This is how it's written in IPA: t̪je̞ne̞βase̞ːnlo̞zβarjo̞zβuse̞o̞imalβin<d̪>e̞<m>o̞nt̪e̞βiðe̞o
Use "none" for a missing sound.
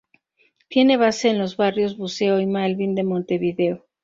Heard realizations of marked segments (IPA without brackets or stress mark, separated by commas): d̪, m